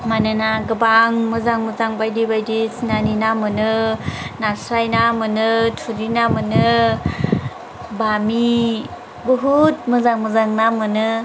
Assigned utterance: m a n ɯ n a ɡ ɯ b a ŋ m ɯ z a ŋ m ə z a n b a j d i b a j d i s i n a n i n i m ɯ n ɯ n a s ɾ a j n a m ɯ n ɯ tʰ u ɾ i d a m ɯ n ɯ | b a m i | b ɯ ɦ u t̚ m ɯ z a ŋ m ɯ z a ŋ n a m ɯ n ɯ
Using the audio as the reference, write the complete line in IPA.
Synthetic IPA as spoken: m a n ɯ n a ɡ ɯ b a ŋ m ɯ z a ŋ m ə z a ŋ b a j d i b a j d i s i n a n i n a m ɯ n ɯ n a s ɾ a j n a m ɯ n ɯ tʰ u ɾ i n a m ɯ n ɯ | b a m i | b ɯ ɦ u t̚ m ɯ z a ŋ m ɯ z a ŋ n a m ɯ n ɯ